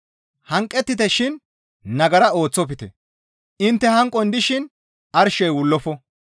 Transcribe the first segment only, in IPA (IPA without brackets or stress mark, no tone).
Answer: h